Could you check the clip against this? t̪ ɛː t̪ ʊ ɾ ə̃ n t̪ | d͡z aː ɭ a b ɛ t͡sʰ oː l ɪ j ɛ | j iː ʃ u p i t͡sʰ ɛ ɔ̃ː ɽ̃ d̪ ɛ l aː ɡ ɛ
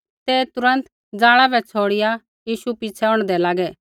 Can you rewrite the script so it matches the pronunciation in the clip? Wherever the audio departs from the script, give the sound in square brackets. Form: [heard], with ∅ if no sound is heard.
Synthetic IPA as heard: t̪ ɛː t̪ ʊ ɾ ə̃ n t̪ | d͡z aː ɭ a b ɛ t͡sʰ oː [ɽ] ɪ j [a] | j iː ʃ u p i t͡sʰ ɛ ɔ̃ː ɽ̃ d̪ ɛ l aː ɡ ɛ